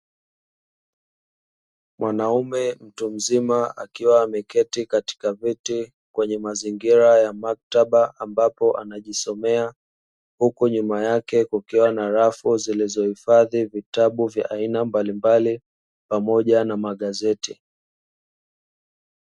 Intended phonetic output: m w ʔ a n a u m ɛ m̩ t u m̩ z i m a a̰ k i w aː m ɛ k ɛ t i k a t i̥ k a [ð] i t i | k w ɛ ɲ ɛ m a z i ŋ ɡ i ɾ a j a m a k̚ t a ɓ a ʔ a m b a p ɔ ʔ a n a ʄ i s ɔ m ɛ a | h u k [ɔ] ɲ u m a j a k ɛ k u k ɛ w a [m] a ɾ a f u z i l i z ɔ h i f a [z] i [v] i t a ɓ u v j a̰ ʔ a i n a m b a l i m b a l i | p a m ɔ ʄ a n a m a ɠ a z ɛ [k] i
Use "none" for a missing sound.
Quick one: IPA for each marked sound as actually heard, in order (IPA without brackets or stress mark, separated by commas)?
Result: v, u, n, ð, v, t